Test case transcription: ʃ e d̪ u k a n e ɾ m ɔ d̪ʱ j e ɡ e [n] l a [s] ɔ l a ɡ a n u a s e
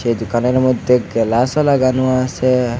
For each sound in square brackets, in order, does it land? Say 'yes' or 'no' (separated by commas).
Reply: no, yes